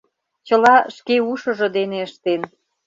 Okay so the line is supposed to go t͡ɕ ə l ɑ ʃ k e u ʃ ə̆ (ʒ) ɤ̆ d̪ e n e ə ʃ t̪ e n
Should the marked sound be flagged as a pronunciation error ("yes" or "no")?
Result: no